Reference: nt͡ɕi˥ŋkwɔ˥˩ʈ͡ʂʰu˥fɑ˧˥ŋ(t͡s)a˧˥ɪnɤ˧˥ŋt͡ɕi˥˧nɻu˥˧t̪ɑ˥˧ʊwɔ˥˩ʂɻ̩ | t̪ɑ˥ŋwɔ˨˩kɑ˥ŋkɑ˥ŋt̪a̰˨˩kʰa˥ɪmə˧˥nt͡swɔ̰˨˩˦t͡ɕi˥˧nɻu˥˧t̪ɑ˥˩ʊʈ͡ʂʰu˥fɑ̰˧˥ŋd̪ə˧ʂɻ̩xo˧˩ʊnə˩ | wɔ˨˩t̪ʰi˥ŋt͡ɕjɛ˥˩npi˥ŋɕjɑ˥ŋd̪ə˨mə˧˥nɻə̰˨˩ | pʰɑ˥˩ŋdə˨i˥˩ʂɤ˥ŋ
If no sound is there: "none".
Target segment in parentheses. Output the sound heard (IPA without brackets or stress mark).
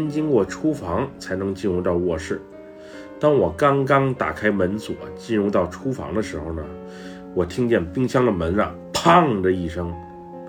t͡sʰ